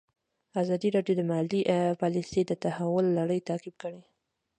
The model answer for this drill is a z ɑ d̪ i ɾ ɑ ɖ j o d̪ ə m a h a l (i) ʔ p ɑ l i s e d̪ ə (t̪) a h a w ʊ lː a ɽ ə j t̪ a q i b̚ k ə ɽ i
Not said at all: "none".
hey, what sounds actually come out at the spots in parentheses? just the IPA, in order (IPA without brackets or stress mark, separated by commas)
i, t̪